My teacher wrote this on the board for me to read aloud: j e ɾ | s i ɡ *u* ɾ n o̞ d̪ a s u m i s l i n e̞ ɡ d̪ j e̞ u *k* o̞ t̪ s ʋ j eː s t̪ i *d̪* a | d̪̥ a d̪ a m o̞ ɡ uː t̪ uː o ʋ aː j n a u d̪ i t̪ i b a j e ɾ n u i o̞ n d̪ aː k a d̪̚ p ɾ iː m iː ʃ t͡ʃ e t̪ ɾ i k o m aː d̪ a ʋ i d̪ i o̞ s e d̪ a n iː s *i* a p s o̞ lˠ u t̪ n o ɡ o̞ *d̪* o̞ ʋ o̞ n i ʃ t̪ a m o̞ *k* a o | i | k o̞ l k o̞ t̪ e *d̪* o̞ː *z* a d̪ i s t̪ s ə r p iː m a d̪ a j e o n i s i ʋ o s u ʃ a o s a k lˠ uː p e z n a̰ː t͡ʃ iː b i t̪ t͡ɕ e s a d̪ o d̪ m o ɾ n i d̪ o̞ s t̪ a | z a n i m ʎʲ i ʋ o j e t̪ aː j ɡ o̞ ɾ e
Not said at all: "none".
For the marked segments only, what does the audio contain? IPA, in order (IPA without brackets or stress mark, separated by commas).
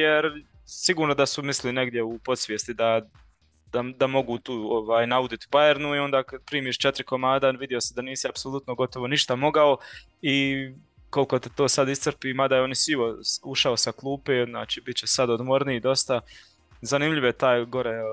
uː, p, d̪, i, t̪, ɡ, t̪, s